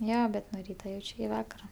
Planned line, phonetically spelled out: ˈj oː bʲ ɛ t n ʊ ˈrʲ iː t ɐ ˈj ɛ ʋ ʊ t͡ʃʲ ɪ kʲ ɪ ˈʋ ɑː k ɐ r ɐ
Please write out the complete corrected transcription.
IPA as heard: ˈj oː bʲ ɛ t n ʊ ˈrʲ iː t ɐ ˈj ɛ ʊ t͡ʃʲ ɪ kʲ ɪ ˈʋ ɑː k ɐ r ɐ